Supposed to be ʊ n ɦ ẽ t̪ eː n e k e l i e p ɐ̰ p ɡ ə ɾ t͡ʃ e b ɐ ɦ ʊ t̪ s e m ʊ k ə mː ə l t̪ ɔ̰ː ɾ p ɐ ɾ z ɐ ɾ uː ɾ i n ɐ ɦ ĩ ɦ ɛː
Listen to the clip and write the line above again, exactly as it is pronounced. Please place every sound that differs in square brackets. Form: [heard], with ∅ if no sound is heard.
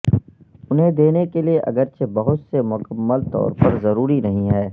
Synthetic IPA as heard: ʊ n ɦ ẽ [d̪] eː n e k e l i e [ʔ] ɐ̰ [∅] ɡ ə ɾ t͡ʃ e b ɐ ɦ ʊ t̪ s e m ʊ k ə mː ə l t̪ ɔ̰ː ɾ p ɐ ɾ z ɐ ɾ uː ɾ i n ɐ ɦ ĩ ɦ ɛː